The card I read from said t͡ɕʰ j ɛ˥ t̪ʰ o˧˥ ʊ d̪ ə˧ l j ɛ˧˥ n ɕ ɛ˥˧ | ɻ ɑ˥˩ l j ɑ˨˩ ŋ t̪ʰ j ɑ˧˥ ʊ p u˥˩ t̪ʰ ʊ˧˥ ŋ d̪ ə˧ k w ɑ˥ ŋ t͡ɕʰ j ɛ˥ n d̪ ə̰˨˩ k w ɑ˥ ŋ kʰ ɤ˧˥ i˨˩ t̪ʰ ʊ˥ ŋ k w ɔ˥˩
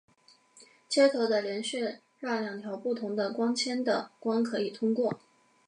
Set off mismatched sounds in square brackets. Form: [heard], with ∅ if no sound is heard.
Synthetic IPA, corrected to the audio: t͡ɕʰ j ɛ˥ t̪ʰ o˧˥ ʊ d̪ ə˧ l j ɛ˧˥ n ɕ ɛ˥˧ | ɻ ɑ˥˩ l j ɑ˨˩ ŋ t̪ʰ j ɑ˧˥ ʊ p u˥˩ t̪ʰ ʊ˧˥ ŋ d̪ ə˧ k w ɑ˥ ŋ t͡ɕʰ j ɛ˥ n d̪ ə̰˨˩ k w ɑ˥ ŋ kʰ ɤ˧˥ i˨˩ t̪ʰ ʊ˥ ŋ k w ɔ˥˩